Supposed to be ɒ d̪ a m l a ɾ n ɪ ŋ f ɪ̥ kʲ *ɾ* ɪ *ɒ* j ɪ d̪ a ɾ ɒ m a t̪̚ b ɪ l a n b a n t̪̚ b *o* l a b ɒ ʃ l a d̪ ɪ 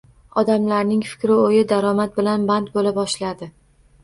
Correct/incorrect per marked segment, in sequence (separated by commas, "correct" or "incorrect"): correct, incorrect, correct